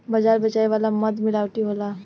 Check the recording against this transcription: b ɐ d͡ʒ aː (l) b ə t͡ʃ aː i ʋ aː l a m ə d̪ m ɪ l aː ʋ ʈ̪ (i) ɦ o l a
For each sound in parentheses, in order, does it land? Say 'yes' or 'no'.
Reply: no, yes

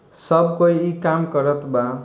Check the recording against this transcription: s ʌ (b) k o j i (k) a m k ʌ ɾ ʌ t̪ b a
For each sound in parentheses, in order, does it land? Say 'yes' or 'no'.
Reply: yes, yes

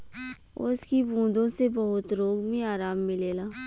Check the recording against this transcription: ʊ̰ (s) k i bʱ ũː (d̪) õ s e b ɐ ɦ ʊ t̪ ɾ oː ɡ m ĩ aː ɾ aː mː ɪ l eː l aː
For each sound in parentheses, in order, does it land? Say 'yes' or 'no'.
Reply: yes, yes

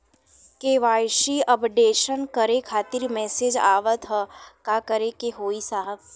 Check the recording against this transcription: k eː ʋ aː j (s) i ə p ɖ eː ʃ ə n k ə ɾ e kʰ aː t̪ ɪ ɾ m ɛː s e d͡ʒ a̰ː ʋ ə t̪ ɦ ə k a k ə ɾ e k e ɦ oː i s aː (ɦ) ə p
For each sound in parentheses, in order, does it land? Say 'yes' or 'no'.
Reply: no, yes

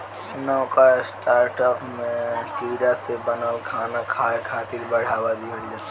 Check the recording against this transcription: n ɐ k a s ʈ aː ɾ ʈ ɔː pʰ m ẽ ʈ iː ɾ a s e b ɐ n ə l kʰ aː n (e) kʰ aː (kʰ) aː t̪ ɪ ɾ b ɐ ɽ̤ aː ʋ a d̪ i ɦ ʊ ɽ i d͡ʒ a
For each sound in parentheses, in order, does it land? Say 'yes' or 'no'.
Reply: no, yes

